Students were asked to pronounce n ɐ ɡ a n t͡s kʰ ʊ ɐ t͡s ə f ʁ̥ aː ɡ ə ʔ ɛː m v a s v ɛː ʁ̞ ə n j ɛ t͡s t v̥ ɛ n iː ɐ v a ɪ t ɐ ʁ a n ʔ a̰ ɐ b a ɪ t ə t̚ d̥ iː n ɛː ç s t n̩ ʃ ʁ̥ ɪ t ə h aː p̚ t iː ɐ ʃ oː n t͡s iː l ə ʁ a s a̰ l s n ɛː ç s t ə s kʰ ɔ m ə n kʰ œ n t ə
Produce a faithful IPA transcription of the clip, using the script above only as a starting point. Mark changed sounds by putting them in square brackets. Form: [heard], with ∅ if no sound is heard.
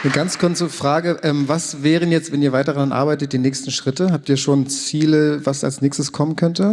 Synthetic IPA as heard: n [ə] ɡ a n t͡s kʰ ʊ ɐ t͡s ə f ʁ̥ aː ɡ ə ʔ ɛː m v a s v ɛː ʁ̞ ə n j ɛ t͡s t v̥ ɛ n iː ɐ v a ɪ t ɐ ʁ a n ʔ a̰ ɐ b a ɪ t ə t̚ d̥ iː n ɛː ç s t n̩ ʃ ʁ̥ ɪ t ə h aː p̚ t iː ɐ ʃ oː n t͡s iː l ə [v] a s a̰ l s n ɛː ç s t ə s kʰ ɔ m ə n kʰ œ n t ə